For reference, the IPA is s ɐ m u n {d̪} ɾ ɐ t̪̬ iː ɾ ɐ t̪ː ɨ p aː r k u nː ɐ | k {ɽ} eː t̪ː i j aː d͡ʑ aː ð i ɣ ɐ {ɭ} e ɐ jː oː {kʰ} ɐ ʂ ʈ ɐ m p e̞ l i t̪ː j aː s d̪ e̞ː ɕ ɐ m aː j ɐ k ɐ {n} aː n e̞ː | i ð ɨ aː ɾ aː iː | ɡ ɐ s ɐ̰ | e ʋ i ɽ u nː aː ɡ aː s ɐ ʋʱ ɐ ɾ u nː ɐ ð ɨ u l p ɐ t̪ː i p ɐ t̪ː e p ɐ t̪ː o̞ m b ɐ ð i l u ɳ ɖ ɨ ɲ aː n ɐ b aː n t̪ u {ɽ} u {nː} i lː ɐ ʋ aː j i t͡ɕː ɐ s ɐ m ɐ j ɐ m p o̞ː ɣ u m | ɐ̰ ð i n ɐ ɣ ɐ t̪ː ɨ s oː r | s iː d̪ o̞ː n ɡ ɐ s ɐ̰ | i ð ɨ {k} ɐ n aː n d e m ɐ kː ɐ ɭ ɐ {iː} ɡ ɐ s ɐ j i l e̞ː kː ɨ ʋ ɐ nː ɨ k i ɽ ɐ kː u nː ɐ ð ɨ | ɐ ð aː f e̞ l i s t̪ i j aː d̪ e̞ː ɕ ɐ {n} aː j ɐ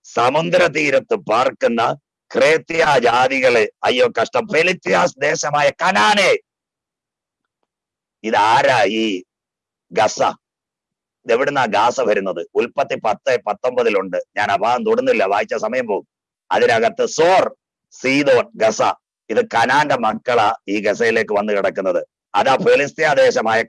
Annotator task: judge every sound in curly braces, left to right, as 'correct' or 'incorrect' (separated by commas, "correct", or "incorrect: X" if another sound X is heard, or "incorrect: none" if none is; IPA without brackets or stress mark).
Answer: correct, incorrect: r, correct, incorrect: k, correct, correct, correct, correct, correct, incorrect: m